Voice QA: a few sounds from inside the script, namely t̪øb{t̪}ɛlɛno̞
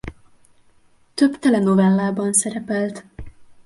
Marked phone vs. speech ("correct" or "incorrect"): correct